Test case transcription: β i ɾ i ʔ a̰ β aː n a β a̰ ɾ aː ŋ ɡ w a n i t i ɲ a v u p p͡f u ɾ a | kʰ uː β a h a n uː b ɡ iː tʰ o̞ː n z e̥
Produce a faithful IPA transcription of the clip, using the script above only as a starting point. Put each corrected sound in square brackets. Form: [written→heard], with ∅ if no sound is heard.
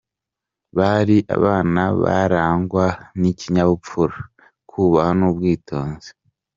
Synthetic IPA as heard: β [i→a] ɾ i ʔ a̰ β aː n a β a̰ ɾ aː ŋ ɡ w a n i [t→c] i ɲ a [v→β] u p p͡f u ɾ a | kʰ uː β a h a n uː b ɡ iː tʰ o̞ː n z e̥

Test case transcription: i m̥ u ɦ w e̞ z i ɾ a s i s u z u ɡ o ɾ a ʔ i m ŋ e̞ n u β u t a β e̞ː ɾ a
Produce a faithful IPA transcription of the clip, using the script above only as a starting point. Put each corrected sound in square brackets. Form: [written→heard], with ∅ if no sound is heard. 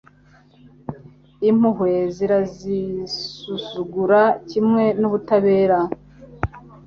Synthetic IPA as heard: i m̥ u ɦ w e̞ z i ɾ a [s→z] i s u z u ɡ [o→u] ɾ a [ʔ→c] i m ŋ e̞ n u β u t a β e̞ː ɾ a

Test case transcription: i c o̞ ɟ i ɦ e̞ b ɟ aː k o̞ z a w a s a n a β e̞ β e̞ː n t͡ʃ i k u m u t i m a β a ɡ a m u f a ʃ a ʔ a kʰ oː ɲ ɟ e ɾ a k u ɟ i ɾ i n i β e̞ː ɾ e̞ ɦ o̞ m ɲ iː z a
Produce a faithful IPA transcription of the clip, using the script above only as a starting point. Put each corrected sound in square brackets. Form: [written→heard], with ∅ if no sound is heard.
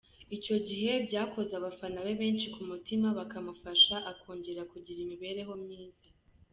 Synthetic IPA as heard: i c o̞ ɟ i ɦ e̞ b ɟ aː k o̞ z a [w→β] a [s→f] a n a β e̞ β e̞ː n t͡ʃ i k u m u t i m a β a [ɡ→k] a m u f a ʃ a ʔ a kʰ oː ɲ ɟ e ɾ a k u ɟ i ɾ i [n→m] i β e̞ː ɾ e̞ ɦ o̞ m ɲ iː z a

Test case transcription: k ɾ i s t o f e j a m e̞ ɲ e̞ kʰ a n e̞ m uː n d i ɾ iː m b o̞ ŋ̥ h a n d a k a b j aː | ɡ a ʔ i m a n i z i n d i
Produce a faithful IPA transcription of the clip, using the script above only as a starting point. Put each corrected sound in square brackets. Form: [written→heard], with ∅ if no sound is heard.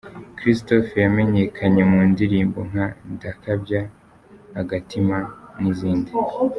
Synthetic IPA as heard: k ɾ i s t o f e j a m e̞ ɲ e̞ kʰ a [n→ɲ] e̞ m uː n d i ɾ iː m b o̞ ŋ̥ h a n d a k a b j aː | ɡ a [ʔ→t] i m a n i z [i→iː] n d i

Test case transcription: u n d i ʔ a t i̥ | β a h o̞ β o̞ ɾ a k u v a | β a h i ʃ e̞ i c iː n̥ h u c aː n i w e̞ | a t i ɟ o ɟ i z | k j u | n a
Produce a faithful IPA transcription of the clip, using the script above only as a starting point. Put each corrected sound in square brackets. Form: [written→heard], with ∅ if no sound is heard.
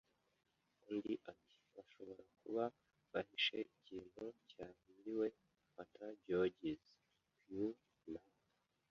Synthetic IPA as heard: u n d i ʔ a t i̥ | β a [h→ʃ] o̞ β o̞ ɾ a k u [v→β] a | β a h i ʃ e̞ i c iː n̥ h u c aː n i w e̞ | a t [i→a] ɟ o ɟ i z | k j u | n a

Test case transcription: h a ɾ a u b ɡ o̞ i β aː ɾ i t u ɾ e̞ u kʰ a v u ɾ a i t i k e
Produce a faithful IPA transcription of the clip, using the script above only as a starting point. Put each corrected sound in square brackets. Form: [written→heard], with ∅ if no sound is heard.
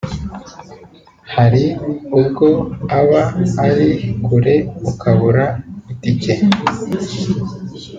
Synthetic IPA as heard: h a ɾ [a→i] u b ɡ o̞ [i→a] β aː ɾ i [t→k] u ɾ e̞ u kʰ a [v→β] u ɾ a i t i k e

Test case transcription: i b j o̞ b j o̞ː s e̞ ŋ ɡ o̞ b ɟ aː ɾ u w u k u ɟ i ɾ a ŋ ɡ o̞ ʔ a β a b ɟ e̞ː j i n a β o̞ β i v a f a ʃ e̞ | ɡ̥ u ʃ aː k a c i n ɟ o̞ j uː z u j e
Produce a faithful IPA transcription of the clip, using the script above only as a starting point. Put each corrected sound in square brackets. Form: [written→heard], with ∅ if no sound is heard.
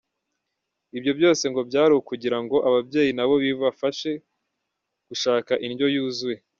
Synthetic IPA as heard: i b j o̞ b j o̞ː s e̞ ŋ ɡ o̞ b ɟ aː ɾ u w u k u ɟ i ɾ a ŋ ɡ o̞ ʔ a β a b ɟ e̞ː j i n a β o̞ β i v a f a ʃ e̞ | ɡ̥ u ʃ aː k a [c→ʔ] i n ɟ o̞ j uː z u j e

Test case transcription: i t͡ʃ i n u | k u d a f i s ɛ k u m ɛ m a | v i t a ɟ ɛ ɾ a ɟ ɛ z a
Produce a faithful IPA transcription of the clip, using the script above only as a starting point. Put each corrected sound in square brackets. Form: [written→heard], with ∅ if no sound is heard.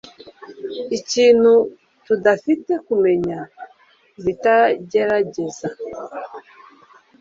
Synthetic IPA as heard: i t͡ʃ i n u | [k→t] u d a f i [s→t] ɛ k u m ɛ [m→ɲ] a | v i t a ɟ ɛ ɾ a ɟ ɛ z a

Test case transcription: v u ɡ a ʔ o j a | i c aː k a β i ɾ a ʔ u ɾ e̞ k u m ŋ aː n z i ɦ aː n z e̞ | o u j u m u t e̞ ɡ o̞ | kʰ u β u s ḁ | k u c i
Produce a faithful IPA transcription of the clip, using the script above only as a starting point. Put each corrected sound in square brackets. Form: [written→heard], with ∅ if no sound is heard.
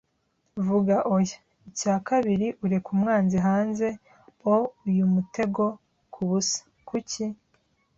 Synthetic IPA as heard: v u ɡ a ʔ o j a | i c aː k a β i ɾ [a→i] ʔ u ɾ e̞ k u m ŋ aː n z i ɦ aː n z e̞ | o u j u m u t e̞ ɡ o̞ | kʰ u β u s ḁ | k u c i

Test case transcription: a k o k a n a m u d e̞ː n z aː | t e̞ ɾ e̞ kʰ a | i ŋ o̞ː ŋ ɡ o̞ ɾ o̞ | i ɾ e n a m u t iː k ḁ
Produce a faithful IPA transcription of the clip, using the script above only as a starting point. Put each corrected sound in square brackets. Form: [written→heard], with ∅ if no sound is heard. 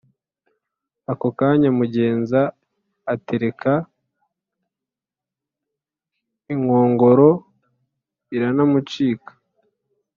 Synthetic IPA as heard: a k o k a [n→ɲ] a m u [d→ɟ] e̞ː n z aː | t e̞ ɾ e̞ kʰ a | i ŋ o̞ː ŋ ɡ o̞ ɾ o̞ | i ɾ [e→a] n a m u [t→t͡ʃ] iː k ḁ

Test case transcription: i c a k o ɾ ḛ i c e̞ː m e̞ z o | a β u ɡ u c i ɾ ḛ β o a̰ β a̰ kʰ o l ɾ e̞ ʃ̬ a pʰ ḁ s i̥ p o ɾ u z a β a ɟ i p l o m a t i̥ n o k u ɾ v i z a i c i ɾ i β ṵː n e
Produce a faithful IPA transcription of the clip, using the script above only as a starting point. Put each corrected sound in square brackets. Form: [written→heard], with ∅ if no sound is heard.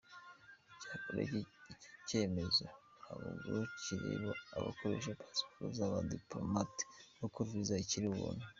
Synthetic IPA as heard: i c a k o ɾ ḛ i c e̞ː m e̞ z o | a β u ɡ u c i ɾ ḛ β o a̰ β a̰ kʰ o [l→∅] ɾ e̞ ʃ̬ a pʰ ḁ s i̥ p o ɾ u z a β a [ɟ→d] i p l o m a t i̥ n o k u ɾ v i z a i c i ɾ i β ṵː n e

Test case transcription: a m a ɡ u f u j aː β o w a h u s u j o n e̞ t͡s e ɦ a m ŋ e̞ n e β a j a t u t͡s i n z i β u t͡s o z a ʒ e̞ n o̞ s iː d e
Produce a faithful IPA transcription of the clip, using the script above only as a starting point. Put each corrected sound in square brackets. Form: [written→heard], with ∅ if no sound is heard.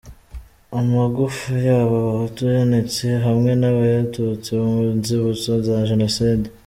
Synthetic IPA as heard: a m a ɡ u f u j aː β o [w→β] a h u [s→t] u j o n e̞ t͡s e ɦ a m ŋ e̞ n [e→a] β a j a t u t͡s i n z i β u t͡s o z a ʒ e̞ n o̞ s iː d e

